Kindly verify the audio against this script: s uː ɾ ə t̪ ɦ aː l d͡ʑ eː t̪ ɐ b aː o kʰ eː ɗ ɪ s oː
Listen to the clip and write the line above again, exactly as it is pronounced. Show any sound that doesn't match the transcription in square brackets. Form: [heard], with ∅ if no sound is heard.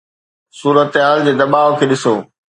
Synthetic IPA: s uː ɾ ə t̪ ɦ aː l d͡ʑ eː [d̪] ɐ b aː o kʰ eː ɗ ɪ s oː